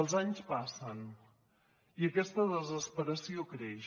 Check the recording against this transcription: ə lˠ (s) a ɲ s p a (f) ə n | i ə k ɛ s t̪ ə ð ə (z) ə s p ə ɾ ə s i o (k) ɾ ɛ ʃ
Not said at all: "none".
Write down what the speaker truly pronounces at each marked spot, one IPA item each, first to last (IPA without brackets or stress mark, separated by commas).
z, s, z, k